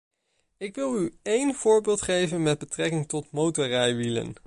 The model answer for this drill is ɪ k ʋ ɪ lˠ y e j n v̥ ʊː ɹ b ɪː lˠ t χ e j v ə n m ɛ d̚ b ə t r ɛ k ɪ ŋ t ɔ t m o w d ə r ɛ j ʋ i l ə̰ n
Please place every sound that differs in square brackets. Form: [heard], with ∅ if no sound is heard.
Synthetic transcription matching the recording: ɪ k ʋ ɪ lˠ y e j n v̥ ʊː ɹ b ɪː lˠ t χ e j v ə n m ɛ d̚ b ə t r ɛ k ɪ ŋ t ɔ t m o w [t] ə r ɛ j ʋ i l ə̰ n